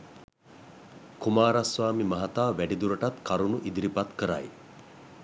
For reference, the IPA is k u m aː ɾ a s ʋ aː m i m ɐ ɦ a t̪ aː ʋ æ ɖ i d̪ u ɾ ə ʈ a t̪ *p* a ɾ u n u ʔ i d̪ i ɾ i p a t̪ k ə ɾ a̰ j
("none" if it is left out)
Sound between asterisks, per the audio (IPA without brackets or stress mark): k